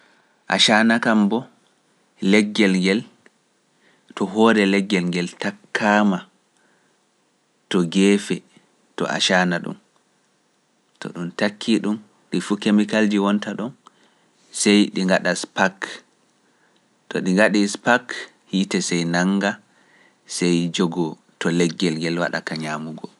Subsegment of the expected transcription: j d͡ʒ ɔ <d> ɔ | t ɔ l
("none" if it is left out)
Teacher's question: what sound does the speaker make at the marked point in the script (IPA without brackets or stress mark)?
ɡ